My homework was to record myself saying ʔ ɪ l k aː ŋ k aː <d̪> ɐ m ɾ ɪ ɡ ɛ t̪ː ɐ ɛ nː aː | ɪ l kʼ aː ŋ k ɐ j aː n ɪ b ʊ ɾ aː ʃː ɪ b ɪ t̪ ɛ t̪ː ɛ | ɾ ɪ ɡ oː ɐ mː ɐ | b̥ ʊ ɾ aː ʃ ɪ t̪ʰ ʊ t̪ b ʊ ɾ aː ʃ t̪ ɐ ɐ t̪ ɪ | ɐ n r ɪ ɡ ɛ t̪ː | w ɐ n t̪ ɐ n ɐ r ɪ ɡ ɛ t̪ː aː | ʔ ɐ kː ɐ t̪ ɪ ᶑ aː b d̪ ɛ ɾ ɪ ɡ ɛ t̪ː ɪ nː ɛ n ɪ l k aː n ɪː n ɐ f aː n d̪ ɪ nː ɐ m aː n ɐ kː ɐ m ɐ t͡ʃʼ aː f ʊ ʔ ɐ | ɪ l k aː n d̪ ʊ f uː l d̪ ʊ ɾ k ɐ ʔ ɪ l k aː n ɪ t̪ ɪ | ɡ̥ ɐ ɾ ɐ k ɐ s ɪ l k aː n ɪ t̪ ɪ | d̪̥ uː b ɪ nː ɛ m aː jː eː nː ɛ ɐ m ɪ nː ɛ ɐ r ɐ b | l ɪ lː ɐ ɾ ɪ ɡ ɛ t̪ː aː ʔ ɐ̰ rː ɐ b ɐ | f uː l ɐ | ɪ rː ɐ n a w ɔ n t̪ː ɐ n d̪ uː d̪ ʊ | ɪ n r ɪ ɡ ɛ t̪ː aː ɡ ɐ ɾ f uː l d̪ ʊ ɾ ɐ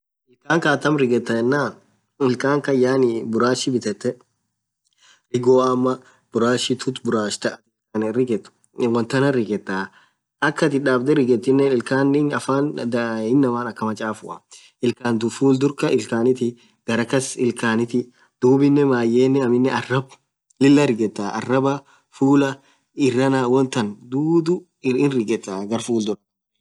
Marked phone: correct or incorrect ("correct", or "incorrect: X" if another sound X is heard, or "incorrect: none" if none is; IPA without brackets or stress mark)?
incorrect: t̪